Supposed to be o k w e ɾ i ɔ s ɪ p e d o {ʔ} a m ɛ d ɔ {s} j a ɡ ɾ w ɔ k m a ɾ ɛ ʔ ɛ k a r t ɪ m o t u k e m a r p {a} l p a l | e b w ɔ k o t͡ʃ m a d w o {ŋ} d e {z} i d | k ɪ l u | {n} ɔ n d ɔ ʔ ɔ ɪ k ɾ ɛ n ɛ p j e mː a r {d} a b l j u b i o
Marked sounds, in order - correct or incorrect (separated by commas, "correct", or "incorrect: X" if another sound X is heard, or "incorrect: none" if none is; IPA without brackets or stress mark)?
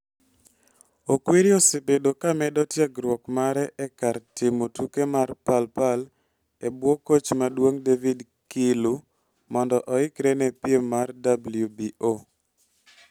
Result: incorrect: k, incorrect: t, correct, correct, incorrect: v, incorrect: m, correct